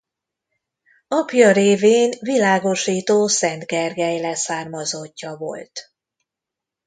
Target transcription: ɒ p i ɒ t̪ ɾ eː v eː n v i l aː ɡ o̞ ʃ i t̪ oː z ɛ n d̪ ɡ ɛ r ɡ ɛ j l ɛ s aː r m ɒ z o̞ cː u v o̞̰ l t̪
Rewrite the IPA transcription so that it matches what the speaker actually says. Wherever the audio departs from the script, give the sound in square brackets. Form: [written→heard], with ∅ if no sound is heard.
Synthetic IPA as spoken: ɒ p [i→j] ɒ [t̪→∅] ɾ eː v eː n v i l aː ɡ o̞ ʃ [i→iː] t̪ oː [z→s] ɛ n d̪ ɡ ɛ r ɡ ɛ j l ɛ s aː r m ɒ z o̞ cː [u→ɒ] v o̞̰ l t̪

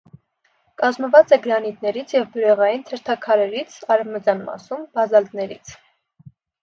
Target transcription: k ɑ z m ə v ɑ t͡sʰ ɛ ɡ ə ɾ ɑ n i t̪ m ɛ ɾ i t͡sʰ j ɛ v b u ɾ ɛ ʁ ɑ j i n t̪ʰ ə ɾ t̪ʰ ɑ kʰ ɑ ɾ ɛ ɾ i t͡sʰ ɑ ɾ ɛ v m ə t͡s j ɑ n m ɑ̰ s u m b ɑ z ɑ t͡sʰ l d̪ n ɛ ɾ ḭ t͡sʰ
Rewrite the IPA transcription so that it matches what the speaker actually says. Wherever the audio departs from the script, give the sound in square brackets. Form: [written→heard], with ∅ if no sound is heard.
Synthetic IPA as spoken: k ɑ z m ə v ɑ [t͡sʰ→t͡s] ɛ ɡ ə ɾ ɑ n i t̪ [m→n] ɛ ɾ i t͡sʰ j ɛ v b u ɾ ɛ ʁ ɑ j i n t̪ʰ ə ɾ t̪ʰ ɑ kʰ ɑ ɾ ɛ ɾ i t͡sʰ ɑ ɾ ɛ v m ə t͡s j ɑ n m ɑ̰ s u m b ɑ z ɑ [t͡sʰ→∅] l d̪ n ɛ ɾ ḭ t͡sʰ

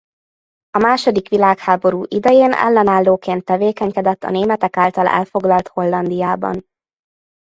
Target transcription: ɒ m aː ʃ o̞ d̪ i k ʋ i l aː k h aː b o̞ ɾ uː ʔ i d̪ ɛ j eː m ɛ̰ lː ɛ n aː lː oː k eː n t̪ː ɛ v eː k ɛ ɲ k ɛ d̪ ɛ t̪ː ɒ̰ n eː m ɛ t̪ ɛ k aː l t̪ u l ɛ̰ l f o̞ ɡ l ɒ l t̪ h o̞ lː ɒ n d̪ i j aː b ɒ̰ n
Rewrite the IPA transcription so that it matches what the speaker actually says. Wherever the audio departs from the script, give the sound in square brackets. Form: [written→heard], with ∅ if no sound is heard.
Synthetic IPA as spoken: ɒ m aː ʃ o̞ d̪ i k ʋ i l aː k h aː b o̞ ɾ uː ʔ i d̪ ɛ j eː [m→n] ɛ̰ lː ɛ n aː lː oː k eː n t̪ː ɛ v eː k ɛ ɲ k ɛ d̪ ɛ t̪ː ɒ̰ n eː m ɛ t̪ ɛ k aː l t̪ [u→ɒ] l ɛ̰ l f o̞ ɡ l ɒ l t̪ h o̞ lː ɒ n d̪ i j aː b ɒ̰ n

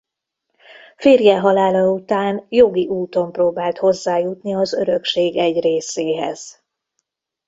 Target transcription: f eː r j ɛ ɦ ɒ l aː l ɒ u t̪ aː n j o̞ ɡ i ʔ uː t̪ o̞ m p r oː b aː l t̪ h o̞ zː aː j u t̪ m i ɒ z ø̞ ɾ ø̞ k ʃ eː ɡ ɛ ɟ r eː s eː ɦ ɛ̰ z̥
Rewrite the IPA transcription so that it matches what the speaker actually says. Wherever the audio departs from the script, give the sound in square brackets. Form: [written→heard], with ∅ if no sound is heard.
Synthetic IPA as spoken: f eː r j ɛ ɦ ɒ l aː l ɒ u t̪ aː n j o̞ ɡ i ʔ uː t̪ o̞ m p r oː b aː l t̪ h o̞ zː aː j u t̪ [m→n] i ɒ z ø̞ ɾ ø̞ k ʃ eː ɡ ɛ ɟ r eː s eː ɦ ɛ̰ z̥

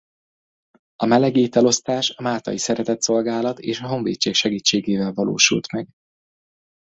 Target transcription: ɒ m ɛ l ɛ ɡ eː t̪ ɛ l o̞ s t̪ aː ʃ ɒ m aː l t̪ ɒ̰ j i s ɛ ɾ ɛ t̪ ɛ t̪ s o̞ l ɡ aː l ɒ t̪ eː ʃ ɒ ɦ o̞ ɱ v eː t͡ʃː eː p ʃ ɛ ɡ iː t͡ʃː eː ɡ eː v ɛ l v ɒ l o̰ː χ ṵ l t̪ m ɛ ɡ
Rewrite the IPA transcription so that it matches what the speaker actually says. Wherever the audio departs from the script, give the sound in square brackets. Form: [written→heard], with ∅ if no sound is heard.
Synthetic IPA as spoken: ɒ m ɛ l ɛ ɡ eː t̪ ɛ l o̞ s t̪ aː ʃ ɒ m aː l t̪ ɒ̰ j i s ɛ ɾ ɛ t̪ ɛ t̪ s o̞ l ɡ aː l ɒ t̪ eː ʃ ɒ ɦ o̞ ɱ v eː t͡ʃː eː [p→k] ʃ ɛ ɡ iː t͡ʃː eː ɡ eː v ɛ l v ɒ l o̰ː [χ→ʃ] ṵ l t̪ m ɛ ɡ

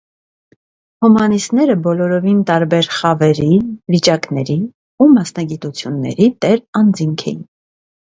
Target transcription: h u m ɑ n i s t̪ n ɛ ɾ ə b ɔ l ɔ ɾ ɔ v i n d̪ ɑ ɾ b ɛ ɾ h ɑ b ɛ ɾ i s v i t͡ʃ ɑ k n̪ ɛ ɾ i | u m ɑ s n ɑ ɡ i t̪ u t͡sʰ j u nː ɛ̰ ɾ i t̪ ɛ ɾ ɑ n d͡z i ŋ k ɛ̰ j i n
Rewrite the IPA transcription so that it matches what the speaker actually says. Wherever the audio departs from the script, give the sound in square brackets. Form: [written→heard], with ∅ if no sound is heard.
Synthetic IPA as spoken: h u m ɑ n i s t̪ n ɛ ɾ ə b ɔ l ɔ ɾ ɔ v i n [d̪→t̪] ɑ ɾ b ɛ ɾ [h→χ] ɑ [b→v] ɛ ɾ i [s→∅] v i t͡ʃ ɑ k n̪ ɛ ɾ i | u m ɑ s n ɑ ɡ i t̪ u t͡sʰ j u nː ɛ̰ ɾ i t̪ ɛ ɾ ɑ n d͡z i ŋ [k→kʰ] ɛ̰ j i n

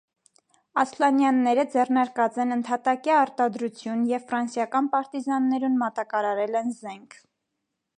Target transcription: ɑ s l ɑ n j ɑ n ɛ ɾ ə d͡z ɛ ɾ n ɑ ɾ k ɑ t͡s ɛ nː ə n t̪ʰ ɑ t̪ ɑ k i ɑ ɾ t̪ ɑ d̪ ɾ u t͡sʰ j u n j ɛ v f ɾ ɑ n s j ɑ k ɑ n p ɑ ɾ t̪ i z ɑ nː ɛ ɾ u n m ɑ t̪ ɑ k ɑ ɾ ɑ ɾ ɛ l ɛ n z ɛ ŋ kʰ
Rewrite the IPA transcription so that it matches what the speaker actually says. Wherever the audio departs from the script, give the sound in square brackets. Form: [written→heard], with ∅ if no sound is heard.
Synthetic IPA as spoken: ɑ s l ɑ n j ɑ [n→nː] ɛ ɾ ə d͡z ɛ [ɾ→r] n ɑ ɾ k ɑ t͡s ɛ [nː→n] ə n t̪ʰ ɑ t̪ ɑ k i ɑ ɾ t̪ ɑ d̪ ɾ u t͡sʰ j u n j ɛ v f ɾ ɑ n s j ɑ k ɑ n p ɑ ɾ t̪ i z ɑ nː ɛ ɾ u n m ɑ t̪ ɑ k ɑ ɾ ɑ ɾ ɛ l ɛ n z ɛ ŋ kʰ

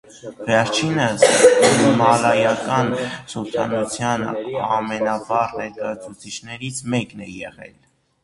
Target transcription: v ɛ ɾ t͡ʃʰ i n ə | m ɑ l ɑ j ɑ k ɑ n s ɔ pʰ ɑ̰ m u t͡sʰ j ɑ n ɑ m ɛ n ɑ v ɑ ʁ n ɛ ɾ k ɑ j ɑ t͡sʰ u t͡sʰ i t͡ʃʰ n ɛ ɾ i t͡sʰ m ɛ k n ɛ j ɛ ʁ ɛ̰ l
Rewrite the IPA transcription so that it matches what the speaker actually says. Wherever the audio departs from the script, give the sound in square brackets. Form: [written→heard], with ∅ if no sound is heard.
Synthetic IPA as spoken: v ɛ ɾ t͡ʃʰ i n ə | m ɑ l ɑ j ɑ k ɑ n s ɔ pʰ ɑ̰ [m→n] u t͡sʰ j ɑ n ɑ m ɛ n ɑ v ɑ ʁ n ɛ ɾ k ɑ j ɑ t͡sʰ u t͡sʰ i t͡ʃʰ n ɛ ɾ i t͡sʰ m ɛ k n ɛ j ɛ ʁ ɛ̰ l

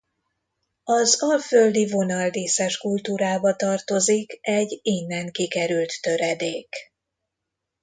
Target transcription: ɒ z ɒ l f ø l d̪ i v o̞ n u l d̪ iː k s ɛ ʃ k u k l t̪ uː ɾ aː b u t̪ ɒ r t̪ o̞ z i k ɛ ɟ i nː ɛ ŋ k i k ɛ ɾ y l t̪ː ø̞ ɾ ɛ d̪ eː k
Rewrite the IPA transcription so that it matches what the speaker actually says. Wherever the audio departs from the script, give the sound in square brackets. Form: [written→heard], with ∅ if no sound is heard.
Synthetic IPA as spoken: ɒ z ɒ l f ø l d̪ i v o̞ n [u→ɒ] l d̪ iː [k→∅] s ɛ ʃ k u [k→∅] l t̪ uː ɾ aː b [u→ɒ] t̪ ɒ r t̪ o̞ z i k ɛ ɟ i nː ɛ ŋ k i k ɛ ɾ y l t̪ː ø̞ ɾ ɛ d̪ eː k

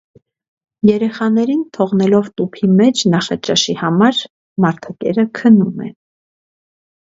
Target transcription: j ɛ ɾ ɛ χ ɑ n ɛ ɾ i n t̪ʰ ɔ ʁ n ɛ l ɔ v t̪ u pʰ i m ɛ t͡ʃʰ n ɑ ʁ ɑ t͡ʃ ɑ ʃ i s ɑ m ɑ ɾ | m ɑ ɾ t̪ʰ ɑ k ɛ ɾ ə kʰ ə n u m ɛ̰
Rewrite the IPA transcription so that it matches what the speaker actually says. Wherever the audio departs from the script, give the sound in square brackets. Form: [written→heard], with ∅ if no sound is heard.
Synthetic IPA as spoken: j ɛ ɾ ɛ χ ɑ n ɛ ɾ i n t̪ʰ ɔ ʁ n ɛ l ɔ v t̪ u pʰ i m ɛ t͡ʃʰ n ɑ [ʁ→χ] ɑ t͡ʃ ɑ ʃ i [s→h] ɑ m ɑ ɾ | m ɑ ɾ t̪ʰ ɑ k ɛ ɾ ə kʰ ə n u m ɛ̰

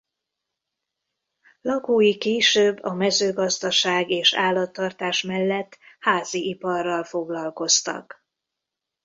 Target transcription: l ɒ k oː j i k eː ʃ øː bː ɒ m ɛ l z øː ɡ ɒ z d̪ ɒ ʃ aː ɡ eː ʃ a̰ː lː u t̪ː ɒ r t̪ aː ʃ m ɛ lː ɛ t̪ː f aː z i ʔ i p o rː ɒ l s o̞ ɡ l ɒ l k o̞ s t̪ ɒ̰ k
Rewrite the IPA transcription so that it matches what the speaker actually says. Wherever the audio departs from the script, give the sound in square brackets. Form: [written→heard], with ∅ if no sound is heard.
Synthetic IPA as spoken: l ɒ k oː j i k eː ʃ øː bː ɒ m ɛ [l→∅] z øː ɡ ɒ z d̪ ɒ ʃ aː ɡ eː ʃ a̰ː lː [u→ɒ] t̪ː ɒ r t̪ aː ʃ m ɛ lː ɛ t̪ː [f→h] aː z i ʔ i p [o→ɒ] rː ɒ l [s→f] o̞ ɡ l ɒ l k o̞ s t̪ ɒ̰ k

